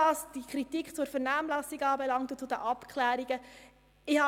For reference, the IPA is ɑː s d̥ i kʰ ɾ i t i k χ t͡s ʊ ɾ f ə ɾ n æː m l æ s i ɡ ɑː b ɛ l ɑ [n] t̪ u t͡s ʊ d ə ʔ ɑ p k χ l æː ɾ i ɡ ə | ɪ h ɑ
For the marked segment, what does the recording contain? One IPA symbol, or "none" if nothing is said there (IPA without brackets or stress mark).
ŋ